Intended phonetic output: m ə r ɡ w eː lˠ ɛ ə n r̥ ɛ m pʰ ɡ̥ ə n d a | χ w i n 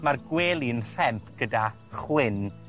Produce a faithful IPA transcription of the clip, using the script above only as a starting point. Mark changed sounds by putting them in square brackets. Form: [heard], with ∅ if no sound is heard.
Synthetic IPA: m [a] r ɡ w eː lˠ [i] ə n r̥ ɛ m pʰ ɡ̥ ə [∅] d a | χ w [ɪ] n